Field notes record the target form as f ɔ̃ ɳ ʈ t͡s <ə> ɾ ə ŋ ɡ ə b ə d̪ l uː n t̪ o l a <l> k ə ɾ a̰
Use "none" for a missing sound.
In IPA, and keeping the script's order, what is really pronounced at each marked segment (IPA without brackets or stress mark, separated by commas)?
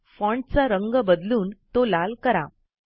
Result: a, l